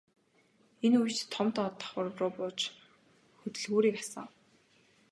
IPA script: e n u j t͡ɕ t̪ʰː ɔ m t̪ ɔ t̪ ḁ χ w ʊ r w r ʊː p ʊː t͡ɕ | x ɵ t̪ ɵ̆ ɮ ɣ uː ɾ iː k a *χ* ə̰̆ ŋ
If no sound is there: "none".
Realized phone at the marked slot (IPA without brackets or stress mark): s